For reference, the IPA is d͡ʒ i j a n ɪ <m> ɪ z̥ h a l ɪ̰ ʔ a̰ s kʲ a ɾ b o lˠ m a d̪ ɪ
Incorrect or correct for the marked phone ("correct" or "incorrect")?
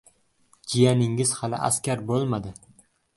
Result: incorrect